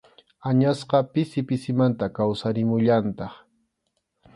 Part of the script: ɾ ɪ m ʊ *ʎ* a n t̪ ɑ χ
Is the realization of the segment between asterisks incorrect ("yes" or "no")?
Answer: no